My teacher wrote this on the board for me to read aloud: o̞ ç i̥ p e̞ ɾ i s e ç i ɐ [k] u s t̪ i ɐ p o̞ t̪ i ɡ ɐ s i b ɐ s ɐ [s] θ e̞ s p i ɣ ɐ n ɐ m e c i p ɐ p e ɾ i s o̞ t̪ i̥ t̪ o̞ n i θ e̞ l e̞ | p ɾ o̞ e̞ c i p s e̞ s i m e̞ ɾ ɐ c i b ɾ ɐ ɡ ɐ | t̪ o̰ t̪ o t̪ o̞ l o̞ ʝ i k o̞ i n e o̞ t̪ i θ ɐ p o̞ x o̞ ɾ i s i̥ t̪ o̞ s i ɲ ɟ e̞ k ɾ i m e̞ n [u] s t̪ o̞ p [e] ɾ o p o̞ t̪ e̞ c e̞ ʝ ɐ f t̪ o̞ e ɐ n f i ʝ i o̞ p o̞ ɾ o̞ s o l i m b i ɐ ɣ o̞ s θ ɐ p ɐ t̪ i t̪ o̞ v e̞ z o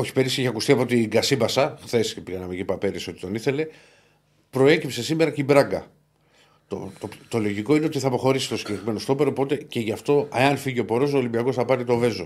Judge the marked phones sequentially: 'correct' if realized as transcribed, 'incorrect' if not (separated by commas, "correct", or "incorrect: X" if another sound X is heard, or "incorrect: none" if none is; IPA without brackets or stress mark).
correct, incorrect: x, incorrect: o, correct